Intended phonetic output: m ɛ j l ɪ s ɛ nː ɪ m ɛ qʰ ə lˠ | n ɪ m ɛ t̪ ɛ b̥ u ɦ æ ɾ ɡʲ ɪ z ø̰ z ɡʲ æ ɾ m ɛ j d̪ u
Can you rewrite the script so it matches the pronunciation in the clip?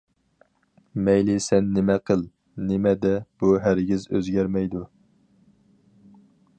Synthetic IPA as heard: m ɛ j l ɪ s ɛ nː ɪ m ɛ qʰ ə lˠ | n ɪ m ɛ d̪ ɛ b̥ u ɦ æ ɾ ɡʲ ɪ z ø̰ z ɡʲ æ ɾ m ɛ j d̪ u